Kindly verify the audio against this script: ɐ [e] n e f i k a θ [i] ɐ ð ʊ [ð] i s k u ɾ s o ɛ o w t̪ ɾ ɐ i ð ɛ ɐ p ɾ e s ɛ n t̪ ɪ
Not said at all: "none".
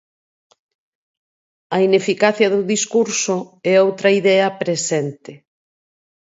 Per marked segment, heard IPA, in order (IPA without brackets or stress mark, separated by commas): i, j, ð